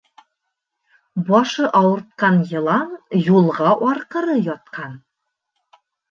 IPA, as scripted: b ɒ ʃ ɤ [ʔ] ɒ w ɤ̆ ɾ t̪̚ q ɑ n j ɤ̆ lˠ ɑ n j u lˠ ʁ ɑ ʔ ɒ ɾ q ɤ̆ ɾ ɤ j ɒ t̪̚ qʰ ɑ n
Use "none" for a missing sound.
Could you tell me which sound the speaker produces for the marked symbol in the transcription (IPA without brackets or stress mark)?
ʔ